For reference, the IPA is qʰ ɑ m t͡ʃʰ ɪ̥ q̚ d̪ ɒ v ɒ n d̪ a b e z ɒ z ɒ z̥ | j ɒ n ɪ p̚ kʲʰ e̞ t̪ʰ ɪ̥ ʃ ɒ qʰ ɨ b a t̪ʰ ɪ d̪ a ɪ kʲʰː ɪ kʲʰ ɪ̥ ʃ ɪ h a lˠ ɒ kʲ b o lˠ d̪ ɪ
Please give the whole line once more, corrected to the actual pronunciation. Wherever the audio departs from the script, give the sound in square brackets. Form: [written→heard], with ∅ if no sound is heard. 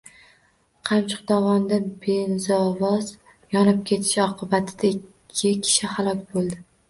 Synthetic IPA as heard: qʰ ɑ m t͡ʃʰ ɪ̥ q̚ d̪ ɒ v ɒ n d̪ a b e z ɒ [z→v] ɒ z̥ | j ɒ n ɪ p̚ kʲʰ e̞ t̪ʰ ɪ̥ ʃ ɒ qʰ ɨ b a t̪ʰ ɪ d̪ a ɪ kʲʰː ɪ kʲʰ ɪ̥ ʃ ɪ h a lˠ ɒ kʲ b o lˠ d̪ ɪ